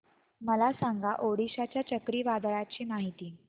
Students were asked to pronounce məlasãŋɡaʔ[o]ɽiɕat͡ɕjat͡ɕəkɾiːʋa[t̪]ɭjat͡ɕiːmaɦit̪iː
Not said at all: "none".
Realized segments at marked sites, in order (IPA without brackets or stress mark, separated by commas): o, d̪